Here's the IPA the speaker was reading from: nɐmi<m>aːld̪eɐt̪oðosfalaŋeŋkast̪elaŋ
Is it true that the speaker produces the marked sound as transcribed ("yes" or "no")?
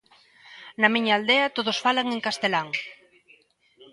no